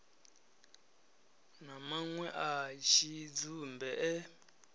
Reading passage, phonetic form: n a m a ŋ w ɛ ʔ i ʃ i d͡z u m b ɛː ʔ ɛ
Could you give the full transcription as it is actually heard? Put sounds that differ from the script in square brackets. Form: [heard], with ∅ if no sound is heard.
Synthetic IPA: n a m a ŋ w ɛ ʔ [a] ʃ i d͡z u m b [ɛ] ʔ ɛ